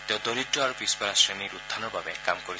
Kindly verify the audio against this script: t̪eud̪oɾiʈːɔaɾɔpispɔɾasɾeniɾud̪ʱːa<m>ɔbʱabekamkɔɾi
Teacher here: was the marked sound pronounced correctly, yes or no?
no